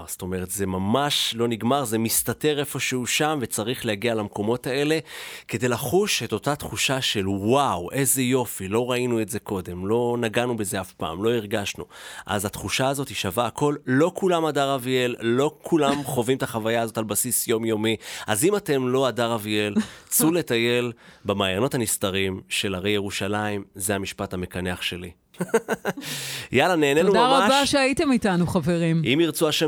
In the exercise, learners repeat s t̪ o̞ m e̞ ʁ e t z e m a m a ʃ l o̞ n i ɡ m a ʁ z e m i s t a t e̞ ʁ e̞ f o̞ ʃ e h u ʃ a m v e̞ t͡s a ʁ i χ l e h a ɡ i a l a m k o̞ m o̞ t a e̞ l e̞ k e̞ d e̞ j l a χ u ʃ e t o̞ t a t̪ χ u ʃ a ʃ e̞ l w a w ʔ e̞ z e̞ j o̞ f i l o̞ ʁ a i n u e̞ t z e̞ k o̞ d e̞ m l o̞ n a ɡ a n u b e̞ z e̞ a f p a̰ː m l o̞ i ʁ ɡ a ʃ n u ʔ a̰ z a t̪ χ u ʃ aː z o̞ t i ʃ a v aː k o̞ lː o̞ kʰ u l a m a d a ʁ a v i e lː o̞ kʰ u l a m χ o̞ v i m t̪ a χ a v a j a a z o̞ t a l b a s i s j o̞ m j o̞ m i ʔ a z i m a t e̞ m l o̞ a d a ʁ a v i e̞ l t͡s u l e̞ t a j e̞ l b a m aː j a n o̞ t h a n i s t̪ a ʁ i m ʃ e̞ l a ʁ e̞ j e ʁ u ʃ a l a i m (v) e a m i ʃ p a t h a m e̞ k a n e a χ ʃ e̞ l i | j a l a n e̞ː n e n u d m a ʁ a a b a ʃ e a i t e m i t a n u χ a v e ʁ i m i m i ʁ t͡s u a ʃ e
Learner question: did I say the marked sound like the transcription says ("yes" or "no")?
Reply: no